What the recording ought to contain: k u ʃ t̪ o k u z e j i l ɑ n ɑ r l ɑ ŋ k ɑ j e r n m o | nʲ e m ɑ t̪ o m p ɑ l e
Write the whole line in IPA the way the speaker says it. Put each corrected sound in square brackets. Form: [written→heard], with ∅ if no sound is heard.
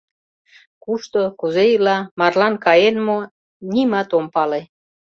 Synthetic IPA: k u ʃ t̪ o k u z e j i l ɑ [n→m] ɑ r l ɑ [ŋ→n] k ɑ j e [r→∅] n m o | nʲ [e→i] m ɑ t̪ o m p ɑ l e

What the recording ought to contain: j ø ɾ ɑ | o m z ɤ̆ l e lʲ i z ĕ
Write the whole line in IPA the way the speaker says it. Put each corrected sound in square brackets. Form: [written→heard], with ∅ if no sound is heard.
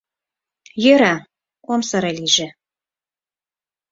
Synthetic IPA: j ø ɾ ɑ | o m [z→s] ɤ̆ [l→ɾ] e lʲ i [z→ʒ] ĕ

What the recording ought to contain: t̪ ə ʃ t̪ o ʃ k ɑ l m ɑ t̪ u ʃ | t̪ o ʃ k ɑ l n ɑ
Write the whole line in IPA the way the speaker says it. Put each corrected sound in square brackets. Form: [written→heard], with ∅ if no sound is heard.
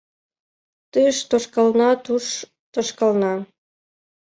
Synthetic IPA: t̪ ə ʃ t̪ o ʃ k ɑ l [m→n] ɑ t̪ u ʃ | t̪ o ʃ k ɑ l n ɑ

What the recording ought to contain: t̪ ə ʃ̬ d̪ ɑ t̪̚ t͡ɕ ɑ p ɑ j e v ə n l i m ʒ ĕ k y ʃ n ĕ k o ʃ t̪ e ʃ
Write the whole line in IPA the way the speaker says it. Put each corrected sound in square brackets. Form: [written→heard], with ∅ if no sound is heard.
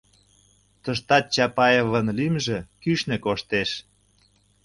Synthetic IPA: t̪ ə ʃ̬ [d̪→t̪] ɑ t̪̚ t͡ɕ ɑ p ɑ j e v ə n l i m ʒ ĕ k y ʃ n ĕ k o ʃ t̪ e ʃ

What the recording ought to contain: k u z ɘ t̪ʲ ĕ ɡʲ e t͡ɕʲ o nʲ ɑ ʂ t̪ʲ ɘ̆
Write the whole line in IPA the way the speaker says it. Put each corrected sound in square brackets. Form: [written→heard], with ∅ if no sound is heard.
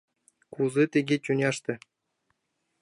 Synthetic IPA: k u z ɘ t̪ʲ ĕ ɡʲ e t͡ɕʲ [o→u] nʲ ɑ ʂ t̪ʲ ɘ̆

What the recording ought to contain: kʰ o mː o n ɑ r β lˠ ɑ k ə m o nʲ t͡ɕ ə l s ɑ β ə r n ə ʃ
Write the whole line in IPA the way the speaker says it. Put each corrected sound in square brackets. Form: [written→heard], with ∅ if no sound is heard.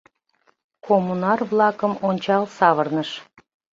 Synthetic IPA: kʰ o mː [o→u] n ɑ r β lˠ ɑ k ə m o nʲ t͡ɕ [ə→ɑ] l s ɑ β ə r n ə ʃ

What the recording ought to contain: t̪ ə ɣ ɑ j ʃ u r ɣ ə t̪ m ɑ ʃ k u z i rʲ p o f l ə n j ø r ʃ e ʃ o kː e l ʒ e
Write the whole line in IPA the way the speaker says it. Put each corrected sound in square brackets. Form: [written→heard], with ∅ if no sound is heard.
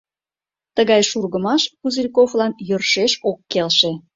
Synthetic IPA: t̪ ə ɣ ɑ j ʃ u r ɣ ə [t̪→∅] m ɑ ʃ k u z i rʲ [p→k] o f l [ə→ɑ] n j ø r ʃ e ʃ o kː e l [ʒ→ʃ] e

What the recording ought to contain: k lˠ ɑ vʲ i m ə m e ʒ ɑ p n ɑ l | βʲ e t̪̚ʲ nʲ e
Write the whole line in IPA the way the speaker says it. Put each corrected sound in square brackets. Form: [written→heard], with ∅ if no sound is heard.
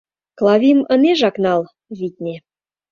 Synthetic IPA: k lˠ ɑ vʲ i m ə [m→n] e ʒ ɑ [p→k] n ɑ l | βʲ [e→i] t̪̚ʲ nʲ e

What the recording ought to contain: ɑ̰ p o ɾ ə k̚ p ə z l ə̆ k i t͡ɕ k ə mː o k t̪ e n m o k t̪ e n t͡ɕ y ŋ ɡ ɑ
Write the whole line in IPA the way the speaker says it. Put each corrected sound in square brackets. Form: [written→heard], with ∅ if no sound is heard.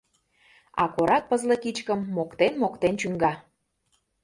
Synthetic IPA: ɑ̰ [p→k] o ɾ [ə→ɑ] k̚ p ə z l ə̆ k i t͡ɕ k ə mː o k t̪ e n m o k t̪ e n t͡ɕ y ŋ ɡ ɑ

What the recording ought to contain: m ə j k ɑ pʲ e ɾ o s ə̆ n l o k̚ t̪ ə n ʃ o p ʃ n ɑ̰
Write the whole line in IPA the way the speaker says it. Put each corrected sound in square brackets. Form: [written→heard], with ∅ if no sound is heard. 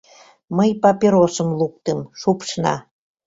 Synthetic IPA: m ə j [k→p] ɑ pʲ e ɾ o s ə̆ [n→m] l [o→u] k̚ t̪ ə [n→m] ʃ [o→u] p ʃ n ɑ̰

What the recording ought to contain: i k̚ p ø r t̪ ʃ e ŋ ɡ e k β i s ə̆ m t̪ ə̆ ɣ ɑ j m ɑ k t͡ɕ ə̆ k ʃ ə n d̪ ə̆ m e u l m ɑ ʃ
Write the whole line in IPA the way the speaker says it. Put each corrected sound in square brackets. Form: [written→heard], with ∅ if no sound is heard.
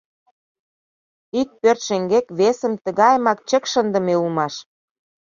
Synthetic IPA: i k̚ p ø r t̪ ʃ e ŋ ɡ e k β [i→e] s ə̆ m t̪ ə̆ ɣ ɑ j m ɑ k t͡ɕ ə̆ k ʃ ə n d̪ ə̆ m e u l m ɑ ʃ

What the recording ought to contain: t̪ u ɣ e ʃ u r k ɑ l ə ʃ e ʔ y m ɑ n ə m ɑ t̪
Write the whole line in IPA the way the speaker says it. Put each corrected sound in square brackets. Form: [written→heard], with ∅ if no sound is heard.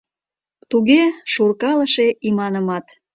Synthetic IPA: t̪ u ɣ e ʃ u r k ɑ l ə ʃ e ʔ [y→i] m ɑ n ə m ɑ t̪

